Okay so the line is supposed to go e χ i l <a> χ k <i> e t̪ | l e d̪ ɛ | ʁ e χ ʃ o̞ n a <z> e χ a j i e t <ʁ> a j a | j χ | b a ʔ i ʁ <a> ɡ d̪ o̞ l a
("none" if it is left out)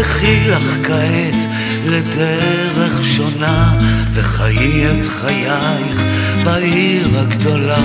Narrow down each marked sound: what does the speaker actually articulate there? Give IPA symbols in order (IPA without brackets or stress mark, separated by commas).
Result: a, a, v, χ, a